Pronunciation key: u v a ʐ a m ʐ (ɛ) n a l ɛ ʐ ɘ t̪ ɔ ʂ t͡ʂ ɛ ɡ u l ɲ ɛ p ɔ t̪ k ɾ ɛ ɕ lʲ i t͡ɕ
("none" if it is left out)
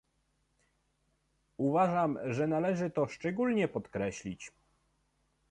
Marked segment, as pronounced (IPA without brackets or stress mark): ɛ